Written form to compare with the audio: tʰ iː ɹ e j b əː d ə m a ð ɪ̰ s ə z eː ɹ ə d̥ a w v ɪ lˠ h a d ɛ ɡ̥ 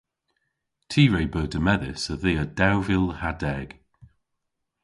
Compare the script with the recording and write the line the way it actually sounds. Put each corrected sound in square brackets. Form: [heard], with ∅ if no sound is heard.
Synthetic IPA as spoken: tʰ iː ɹ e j b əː d ə m [ɛ] ð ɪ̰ s ə [ð] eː [∅] ə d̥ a w v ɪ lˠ h a d ɛ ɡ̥